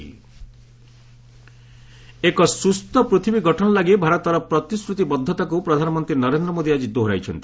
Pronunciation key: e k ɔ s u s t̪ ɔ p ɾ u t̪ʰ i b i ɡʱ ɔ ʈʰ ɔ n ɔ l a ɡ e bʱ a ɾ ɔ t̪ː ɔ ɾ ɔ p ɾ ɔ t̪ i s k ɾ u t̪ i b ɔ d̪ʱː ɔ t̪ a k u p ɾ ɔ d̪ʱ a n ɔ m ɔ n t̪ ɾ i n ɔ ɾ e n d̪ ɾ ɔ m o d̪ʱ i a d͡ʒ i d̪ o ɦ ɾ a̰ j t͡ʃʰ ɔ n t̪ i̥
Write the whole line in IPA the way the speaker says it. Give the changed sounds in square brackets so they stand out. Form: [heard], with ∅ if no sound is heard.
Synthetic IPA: e k ɔ s u s t̪ ɔ p ɾ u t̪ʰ i b i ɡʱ ɔ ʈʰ ɔ n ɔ l a ɡ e bʱ a ɾ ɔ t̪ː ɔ ɾ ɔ p ɾ ɔ t̪ i s k ɾ u t̪ i b ɔ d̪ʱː ɔ t̪ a k u p ɾ ɔ d̪ʱ a n ɔ m ɔ n t̪ ɾ i n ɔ ɾ e n d̪ ɾ ɔ m o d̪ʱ i a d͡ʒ i d̪ o ɦ ɾ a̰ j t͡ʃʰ ɔ n t̪ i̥